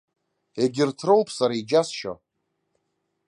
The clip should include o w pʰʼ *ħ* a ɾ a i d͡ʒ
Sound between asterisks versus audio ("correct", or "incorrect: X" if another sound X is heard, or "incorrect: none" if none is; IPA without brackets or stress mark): incorrect: s